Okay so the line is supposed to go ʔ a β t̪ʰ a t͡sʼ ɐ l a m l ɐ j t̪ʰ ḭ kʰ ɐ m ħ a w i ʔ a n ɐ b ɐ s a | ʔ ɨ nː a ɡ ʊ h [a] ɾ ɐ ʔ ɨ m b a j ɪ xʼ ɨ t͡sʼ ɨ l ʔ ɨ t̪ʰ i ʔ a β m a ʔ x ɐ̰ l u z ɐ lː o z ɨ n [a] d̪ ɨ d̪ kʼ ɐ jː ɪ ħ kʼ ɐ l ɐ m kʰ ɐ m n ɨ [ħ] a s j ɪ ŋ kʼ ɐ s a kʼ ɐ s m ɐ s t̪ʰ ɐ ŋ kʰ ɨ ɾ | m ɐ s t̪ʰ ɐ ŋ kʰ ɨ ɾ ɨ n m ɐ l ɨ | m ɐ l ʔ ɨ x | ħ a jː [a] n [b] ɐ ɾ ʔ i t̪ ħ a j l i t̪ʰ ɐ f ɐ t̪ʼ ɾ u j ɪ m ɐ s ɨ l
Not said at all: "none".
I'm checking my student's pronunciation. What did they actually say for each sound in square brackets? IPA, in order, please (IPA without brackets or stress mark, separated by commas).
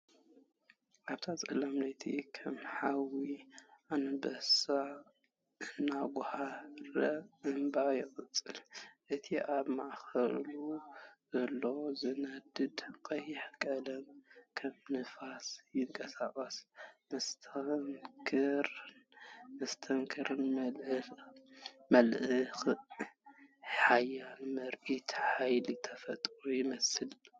a, ɐ, f, a, m